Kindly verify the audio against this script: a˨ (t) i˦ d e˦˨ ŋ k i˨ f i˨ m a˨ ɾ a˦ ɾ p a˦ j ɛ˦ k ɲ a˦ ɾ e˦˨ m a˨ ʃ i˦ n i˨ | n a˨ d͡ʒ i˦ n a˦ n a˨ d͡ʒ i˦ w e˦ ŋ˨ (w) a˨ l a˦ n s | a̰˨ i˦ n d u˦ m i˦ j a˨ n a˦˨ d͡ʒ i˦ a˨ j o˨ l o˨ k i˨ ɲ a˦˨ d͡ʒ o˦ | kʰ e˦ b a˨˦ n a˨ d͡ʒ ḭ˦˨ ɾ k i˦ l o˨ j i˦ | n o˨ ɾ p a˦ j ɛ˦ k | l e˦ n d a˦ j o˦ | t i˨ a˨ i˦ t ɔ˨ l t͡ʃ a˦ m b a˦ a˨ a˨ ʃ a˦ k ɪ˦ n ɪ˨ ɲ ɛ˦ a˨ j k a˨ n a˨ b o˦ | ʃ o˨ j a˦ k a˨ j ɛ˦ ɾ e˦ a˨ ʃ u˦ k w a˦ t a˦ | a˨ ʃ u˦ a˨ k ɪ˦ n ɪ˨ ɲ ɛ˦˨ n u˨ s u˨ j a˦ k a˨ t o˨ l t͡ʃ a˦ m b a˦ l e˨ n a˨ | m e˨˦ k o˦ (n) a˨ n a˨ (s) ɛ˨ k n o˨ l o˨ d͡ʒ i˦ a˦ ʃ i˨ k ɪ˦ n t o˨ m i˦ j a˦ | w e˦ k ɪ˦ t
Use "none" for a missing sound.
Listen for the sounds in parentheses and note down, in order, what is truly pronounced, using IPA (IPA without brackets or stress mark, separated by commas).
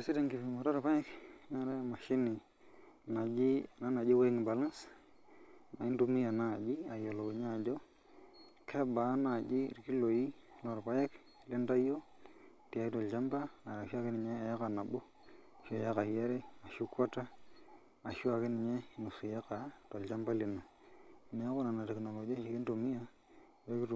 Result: s, b, n, t